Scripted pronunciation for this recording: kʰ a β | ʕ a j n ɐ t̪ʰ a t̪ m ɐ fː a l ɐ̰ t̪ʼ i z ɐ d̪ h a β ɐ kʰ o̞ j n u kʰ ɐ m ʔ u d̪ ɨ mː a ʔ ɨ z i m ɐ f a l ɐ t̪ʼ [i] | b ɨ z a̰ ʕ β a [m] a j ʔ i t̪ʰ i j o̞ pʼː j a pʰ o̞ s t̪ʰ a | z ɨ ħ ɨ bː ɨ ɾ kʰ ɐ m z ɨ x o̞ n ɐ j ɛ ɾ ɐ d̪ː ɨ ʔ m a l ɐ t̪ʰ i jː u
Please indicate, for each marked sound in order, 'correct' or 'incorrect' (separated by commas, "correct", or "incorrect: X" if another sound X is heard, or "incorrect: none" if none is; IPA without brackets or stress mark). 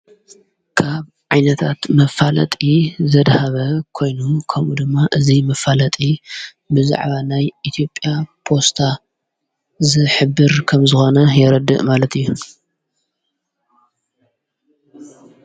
correct, incorrect: n